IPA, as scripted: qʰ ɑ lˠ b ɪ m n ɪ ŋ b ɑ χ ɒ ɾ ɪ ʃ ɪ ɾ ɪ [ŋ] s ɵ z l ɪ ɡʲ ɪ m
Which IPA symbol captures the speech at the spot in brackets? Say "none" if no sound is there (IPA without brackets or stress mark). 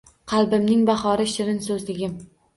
n